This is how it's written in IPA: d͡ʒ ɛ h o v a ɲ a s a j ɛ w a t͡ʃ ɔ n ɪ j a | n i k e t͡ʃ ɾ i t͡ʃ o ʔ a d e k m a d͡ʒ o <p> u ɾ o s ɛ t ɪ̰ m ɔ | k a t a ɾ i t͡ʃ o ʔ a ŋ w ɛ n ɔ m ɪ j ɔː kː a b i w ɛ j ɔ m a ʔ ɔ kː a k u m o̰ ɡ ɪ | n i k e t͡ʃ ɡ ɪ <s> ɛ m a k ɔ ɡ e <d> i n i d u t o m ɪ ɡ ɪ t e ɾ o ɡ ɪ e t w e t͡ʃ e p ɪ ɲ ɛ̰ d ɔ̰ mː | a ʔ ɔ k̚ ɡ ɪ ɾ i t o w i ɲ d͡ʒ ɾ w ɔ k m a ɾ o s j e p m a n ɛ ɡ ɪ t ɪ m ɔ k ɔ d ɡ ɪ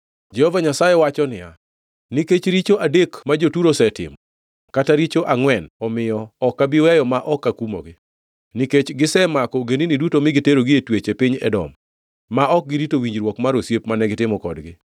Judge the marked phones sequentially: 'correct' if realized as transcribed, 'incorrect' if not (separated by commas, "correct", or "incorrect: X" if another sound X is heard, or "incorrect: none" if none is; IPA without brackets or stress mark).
incorrect: t, correct, incorrect: n